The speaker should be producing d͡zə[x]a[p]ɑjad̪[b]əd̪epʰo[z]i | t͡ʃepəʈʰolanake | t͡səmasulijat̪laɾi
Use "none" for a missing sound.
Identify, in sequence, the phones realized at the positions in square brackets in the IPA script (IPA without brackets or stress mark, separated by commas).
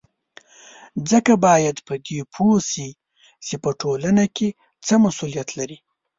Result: k, b, p, s